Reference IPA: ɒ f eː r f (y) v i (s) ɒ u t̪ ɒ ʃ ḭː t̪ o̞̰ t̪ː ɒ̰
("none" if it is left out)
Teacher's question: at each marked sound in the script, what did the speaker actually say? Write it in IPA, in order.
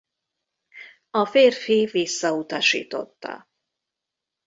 i, sː

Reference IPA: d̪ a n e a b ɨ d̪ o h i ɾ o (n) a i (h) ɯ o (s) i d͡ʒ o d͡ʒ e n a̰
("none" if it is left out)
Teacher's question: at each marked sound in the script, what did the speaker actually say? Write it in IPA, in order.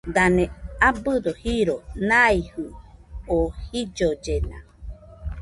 n, h, h

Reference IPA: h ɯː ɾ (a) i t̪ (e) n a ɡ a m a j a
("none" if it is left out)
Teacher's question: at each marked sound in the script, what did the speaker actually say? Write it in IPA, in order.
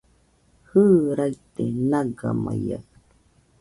a, e

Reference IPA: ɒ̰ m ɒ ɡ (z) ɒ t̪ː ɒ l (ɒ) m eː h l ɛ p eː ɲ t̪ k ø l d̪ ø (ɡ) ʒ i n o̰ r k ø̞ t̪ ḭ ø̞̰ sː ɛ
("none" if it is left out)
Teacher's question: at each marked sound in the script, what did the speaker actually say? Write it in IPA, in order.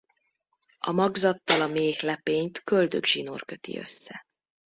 z, ɒ, ɡ

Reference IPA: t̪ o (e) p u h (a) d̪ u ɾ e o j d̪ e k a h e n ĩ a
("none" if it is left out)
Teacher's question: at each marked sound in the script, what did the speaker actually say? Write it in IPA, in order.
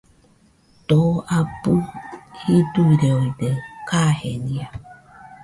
a, i

